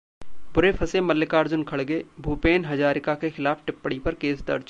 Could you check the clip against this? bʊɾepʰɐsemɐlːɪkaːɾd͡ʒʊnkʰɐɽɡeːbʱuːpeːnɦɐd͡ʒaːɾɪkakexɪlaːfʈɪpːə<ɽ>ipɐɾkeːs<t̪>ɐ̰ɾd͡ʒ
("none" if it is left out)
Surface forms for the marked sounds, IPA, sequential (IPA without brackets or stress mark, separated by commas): ɽ, d̪